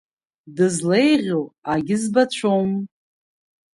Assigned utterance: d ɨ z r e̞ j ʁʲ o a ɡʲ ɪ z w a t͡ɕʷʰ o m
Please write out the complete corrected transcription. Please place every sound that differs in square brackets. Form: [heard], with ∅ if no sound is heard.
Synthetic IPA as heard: d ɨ z [l] e̞ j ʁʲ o a ɡʲ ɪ z [b] a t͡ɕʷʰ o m